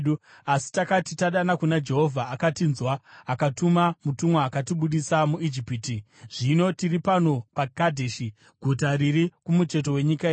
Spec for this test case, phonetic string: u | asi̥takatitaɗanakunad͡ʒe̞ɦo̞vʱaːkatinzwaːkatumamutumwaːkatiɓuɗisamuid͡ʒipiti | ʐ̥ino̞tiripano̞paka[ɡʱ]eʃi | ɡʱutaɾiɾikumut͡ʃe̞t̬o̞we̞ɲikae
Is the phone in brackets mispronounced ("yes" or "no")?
yes